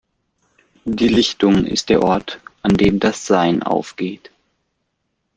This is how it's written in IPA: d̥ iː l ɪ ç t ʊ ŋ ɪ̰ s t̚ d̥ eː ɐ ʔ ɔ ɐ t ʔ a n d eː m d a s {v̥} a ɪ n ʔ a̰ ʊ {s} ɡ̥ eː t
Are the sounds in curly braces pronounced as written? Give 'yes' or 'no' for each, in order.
no, no

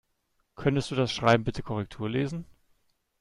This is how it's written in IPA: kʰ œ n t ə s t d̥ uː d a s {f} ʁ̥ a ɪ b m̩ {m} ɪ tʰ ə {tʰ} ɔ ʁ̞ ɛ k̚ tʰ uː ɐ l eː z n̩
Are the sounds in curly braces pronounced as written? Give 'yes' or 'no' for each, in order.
no, no, no

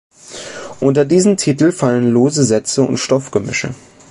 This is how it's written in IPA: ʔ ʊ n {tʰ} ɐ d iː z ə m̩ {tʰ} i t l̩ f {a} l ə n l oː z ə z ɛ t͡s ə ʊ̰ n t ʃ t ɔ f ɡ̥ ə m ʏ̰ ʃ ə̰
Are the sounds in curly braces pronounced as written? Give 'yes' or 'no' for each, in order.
no, yes, yes

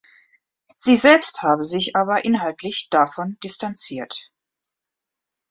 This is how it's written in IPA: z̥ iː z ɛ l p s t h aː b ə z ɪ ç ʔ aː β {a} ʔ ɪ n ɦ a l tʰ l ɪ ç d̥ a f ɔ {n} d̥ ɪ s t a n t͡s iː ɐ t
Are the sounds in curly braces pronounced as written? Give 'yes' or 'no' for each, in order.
no, yes

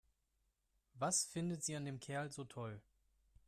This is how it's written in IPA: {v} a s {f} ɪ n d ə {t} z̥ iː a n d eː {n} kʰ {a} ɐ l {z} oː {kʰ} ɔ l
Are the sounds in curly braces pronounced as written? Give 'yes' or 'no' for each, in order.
yes, yes, yes, no, no, yes, no

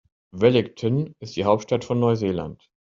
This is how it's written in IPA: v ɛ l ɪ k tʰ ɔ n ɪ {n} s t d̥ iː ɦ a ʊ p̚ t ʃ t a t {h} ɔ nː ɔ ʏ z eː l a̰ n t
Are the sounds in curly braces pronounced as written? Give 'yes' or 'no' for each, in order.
no, no

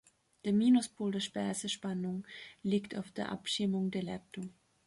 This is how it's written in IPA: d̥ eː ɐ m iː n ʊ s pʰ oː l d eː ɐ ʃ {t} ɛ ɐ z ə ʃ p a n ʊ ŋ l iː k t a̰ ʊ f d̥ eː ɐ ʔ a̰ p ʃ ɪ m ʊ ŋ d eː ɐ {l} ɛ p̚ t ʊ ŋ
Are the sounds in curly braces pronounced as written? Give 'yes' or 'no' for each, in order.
no, yes

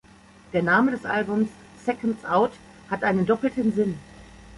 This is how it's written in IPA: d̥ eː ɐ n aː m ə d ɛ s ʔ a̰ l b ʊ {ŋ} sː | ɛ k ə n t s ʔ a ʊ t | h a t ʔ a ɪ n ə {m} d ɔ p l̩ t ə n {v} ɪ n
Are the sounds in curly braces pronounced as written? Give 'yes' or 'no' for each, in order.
no, no, no

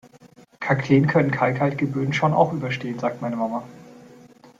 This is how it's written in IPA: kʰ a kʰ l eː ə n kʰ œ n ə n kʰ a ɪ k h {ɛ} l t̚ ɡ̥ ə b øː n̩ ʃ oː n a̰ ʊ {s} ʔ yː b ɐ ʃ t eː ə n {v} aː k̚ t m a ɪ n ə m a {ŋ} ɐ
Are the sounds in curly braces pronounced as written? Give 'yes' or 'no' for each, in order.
no, no, no, no

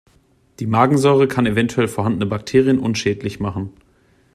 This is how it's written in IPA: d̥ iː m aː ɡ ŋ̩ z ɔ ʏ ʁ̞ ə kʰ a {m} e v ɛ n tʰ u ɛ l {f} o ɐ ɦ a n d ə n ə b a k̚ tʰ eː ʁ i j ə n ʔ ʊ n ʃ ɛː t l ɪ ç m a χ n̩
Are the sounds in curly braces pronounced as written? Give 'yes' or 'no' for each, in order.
no, yes

